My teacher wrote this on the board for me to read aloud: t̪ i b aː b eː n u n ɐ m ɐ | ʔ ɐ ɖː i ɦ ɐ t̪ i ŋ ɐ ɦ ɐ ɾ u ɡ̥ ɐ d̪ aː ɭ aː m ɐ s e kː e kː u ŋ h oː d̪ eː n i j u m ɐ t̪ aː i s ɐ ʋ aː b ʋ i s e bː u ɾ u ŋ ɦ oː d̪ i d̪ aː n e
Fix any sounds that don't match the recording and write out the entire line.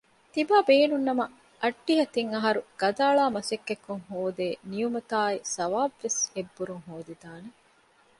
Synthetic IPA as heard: t̪ i b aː b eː n u nː ɐ m ɐ | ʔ ɐ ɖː i ɦ ɐ t̪ i ŋ ɐ ɦ ɐ ɾ u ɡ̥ ɐ d̪ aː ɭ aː m ɐ s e kː e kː u ŋ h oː d̪ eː n i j u m ɐ t̪ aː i s ɐ ʋ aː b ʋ e s e bː u ɾ u ŋ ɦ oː d̪ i d̪ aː n e